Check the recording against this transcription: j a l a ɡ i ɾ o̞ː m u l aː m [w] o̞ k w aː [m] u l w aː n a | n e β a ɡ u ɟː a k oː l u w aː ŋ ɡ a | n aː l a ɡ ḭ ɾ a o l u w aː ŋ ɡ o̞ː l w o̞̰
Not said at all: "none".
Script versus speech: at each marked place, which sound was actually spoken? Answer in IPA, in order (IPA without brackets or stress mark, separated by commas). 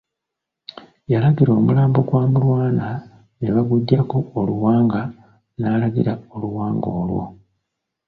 b, m